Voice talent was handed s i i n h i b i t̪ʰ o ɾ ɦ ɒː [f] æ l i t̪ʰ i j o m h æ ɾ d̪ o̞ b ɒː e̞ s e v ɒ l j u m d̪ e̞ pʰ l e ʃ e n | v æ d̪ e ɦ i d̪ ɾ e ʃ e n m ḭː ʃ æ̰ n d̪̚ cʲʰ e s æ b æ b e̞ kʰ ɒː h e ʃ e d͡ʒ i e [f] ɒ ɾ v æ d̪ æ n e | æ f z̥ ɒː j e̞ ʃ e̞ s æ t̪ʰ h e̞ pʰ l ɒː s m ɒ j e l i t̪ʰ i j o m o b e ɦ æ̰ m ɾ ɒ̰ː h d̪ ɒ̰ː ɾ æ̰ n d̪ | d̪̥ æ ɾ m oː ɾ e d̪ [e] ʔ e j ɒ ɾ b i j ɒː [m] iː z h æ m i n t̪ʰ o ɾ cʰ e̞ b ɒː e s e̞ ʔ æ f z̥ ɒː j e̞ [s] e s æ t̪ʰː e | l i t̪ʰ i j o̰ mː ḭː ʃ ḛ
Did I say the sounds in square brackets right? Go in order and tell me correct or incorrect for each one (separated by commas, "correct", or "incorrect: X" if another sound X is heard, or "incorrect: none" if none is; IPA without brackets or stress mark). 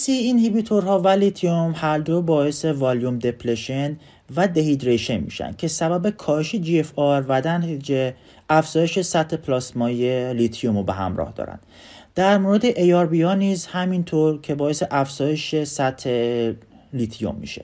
incorrect: v, correct, correct, incorrect: n, incorrect: ʃ